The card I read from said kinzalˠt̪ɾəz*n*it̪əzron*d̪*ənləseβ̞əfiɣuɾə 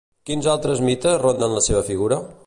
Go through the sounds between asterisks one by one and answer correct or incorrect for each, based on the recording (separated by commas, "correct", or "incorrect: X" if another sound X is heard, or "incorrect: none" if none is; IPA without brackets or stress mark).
incorrect: m, correct